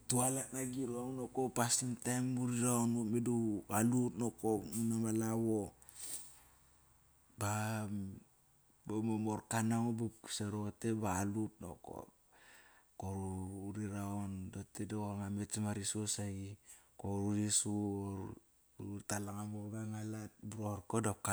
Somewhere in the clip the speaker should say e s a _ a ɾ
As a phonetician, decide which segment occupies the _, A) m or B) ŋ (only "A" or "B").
A